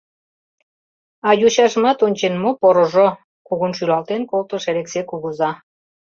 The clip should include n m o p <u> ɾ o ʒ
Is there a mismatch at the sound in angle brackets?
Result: yes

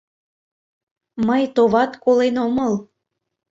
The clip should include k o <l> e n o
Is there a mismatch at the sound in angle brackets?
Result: no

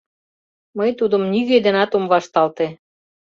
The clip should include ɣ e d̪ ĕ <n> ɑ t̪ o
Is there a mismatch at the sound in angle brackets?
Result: no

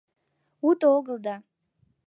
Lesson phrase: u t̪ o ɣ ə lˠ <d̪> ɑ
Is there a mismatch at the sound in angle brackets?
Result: no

